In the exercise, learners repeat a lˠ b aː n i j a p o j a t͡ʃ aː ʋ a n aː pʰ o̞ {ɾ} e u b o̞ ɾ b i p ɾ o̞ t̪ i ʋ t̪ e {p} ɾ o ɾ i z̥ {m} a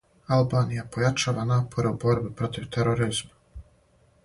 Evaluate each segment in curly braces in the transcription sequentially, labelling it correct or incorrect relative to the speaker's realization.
correct, incorrect, correct

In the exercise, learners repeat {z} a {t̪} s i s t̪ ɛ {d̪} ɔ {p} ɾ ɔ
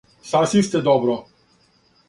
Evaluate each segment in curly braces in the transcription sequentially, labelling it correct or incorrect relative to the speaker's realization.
incorrect, incorrect, correct, incorrect

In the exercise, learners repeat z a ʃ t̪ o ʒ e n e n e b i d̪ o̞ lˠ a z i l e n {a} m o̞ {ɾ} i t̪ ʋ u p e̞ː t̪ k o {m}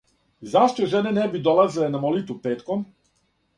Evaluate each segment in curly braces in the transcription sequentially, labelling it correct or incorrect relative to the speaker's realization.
correct, incorrect, correct

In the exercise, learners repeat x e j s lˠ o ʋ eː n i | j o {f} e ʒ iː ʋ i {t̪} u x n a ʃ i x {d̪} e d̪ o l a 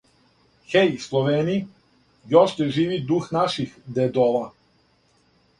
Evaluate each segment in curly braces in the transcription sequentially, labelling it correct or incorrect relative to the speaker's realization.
incorrect, incorrect, correct

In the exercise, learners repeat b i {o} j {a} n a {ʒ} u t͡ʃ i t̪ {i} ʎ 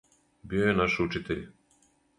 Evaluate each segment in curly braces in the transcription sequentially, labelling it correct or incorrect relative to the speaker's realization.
correct, incorrect, incorrect, incorrect

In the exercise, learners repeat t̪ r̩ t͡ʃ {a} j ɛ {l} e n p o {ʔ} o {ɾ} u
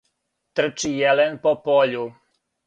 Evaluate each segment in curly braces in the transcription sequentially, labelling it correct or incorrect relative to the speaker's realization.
incorrect, correct, incorrect, incorrect

